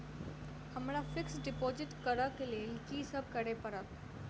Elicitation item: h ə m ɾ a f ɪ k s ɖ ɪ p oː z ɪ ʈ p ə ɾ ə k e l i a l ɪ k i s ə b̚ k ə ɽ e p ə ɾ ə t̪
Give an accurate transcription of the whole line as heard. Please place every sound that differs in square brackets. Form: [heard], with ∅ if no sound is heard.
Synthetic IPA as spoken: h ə m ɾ a f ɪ k s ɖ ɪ p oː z ɪ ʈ [k] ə ɾ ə k e l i [e] l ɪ k i s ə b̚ k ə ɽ e p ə ɾ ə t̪